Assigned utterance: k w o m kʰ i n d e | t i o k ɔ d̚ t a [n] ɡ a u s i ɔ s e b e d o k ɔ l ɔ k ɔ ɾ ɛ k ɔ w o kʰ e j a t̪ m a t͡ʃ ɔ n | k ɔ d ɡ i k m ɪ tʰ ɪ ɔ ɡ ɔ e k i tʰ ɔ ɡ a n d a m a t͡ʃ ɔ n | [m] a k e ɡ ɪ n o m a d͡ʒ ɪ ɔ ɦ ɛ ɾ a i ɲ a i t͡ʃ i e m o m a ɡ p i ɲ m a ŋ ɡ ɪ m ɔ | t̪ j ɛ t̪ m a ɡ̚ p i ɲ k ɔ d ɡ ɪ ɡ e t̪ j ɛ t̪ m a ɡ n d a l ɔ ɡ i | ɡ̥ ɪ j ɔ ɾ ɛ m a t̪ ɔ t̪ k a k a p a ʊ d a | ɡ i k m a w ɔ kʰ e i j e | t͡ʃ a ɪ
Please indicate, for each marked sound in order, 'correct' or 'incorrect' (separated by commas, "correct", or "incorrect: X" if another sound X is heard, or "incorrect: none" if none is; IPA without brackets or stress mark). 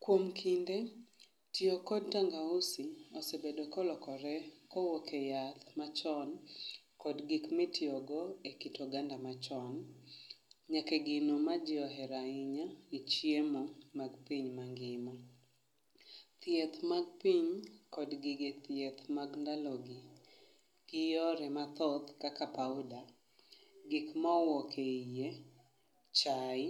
incorrect: ŋ, incorrect: ɲ